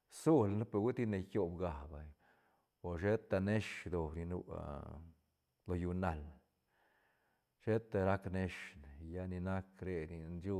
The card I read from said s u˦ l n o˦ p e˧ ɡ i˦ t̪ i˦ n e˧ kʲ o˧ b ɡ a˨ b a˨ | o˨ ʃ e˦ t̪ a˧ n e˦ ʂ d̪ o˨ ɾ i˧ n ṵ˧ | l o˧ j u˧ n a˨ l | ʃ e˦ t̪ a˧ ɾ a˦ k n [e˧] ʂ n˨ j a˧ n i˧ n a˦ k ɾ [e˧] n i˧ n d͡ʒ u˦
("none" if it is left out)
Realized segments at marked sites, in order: e˧, e˧

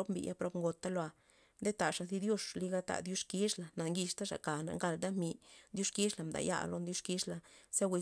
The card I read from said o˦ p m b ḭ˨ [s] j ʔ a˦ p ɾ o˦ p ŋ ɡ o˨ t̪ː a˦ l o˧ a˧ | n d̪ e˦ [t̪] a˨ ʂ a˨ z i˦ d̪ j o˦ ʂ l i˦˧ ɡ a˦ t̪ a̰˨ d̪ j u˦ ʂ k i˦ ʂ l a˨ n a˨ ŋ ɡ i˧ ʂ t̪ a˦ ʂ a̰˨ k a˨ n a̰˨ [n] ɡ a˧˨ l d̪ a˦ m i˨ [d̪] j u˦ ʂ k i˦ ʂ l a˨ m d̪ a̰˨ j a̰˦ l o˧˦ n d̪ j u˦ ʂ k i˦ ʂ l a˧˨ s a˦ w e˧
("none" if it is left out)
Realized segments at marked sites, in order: none, t̪, ŋ, d̪

